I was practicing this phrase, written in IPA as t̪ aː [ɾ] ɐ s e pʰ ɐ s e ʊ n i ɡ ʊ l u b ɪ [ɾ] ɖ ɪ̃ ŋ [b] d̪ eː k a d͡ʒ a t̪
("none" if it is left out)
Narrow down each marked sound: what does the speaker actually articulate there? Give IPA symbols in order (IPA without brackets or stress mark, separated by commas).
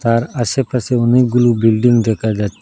ɾ, l, ɡ